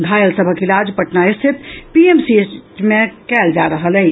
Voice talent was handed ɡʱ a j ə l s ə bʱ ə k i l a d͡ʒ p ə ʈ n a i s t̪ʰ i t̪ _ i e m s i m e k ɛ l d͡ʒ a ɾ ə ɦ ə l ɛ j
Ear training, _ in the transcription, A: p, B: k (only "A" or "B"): A